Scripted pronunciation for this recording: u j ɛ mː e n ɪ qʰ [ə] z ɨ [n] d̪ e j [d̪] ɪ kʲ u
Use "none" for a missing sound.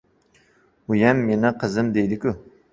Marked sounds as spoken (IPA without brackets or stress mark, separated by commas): ə, m, d̪